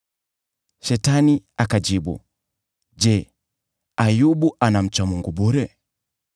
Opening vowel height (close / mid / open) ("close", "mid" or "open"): mid